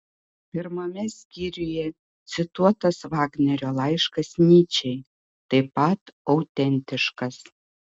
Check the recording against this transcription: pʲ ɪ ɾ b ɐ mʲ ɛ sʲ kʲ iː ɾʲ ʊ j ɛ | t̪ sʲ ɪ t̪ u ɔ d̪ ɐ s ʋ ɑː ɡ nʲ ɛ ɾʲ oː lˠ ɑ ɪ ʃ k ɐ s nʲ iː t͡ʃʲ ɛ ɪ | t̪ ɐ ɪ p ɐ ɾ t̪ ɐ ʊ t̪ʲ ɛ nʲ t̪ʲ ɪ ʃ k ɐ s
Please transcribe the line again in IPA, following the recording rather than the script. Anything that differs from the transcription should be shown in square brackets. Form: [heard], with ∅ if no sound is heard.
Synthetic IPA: pʲ ɪ ɾ [m] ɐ mʲ ɛ sʲ kʲ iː ɾʲ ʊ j ɛ | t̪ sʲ ɪ t̪ u ɔ [t̪] ɐ s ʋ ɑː ɡ nʲ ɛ ɾʲ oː lˠ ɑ ɪ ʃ k ɐ s nʲ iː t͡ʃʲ ɛ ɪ | t̪ ɐ ɪ p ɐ [∅] t̪ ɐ ʊ t̪ʲ ɛ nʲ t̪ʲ ɪ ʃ k ɐ s